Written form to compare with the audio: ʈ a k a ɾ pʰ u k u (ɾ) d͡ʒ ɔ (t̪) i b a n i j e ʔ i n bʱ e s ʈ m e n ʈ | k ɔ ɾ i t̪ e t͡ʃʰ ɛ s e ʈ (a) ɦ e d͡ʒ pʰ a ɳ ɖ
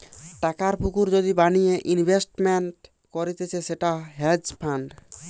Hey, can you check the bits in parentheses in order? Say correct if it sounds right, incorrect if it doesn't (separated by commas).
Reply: correct, incorrect, correct